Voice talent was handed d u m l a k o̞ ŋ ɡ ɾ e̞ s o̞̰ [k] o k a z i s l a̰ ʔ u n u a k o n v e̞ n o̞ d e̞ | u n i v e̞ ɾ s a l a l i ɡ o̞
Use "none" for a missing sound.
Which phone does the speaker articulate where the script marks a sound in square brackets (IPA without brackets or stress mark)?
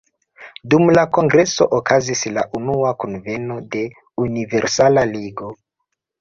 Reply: ʔ